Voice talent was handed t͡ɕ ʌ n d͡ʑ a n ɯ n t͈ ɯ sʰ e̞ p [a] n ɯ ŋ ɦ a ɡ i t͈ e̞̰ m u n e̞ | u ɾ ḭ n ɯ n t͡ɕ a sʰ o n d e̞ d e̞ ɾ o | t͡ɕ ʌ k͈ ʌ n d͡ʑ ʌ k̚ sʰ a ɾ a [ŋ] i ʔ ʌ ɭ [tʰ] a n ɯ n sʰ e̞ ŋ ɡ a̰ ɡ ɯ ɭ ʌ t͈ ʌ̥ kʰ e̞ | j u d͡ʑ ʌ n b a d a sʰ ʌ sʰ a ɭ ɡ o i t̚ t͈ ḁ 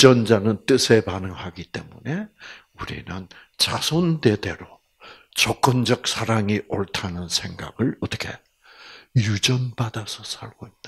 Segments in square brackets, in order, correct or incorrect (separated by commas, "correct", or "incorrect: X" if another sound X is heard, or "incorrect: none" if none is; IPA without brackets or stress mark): correct, correct, correct